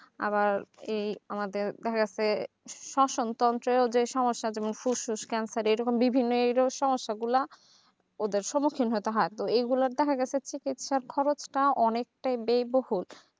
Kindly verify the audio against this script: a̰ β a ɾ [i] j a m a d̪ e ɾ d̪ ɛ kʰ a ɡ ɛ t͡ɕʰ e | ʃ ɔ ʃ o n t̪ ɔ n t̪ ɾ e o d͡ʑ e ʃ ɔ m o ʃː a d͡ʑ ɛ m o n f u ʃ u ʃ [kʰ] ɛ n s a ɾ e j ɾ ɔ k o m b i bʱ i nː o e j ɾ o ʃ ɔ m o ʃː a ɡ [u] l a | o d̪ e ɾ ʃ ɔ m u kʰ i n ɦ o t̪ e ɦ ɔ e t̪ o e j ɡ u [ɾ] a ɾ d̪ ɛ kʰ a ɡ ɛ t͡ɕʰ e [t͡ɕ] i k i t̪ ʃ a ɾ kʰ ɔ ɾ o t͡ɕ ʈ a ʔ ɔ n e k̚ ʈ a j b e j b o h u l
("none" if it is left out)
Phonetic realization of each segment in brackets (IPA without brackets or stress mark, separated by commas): e, k, u, l, t͡ɕ